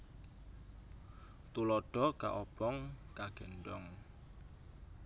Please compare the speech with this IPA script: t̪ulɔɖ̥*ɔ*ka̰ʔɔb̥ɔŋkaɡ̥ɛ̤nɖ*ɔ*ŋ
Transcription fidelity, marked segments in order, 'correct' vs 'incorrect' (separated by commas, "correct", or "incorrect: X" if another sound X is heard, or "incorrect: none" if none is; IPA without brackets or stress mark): correct, correct